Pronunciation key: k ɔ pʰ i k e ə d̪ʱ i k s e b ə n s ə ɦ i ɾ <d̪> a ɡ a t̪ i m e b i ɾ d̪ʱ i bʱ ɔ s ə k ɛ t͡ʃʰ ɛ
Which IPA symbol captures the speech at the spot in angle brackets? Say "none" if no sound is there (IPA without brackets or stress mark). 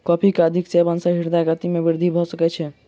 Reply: d̪